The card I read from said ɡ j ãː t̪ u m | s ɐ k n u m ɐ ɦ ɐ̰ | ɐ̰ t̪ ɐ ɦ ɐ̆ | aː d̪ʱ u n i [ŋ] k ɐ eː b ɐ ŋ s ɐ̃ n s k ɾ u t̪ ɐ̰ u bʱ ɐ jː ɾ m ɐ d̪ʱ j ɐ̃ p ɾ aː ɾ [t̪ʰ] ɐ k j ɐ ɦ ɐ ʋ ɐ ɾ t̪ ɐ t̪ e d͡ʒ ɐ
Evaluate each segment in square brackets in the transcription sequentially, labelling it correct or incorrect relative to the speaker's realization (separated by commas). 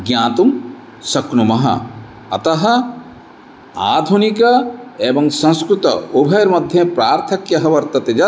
incorrect, correct